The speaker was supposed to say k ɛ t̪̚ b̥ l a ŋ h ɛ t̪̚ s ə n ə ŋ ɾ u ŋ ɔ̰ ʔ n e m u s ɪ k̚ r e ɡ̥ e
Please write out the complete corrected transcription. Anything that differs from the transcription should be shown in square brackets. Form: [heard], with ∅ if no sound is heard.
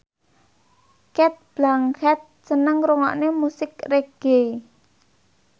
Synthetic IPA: k ɛ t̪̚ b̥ l a ŋ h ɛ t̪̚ s ə n ə ŋ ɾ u ŋ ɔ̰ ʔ n e m u s ɪ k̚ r e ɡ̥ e